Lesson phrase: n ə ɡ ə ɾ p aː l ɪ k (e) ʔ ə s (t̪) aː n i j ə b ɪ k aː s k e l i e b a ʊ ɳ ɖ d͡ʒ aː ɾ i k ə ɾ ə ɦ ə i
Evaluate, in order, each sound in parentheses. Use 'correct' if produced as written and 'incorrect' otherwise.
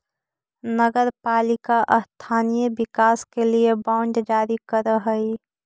incorrect: a, incorrect: t̪ʰ

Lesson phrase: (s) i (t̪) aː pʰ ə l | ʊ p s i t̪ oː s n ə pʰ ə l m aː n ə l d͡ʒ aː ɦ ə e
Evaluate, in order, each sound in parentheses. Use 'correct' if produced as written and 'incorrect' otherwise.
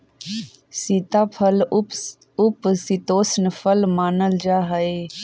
correct, correct

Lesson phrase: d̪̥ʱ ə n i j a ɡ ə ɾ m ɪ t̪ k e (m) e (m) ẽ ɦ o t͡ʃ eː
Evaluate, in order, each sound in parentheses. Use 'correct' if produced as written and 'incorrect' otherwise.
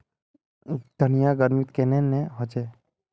incorrect: n, incorrect: n

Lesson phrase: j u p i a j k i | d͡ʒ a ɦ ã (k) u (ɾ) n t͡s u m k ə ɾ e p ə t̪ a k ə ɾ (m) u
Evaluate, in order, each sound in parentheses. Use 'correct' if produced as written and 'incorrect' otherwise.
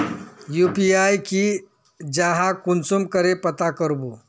correct, incorrect: none, incorrect: b

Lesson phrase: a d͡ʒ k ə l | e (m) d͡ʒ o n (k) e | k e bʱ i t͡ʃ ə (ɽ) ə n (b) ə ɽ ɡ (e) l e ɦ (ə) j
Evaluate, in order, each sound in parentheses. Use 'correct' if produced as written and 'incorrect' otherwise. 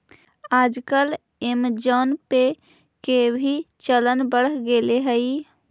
correct, incorrect: p, incorrect: l, correct, correct, correct

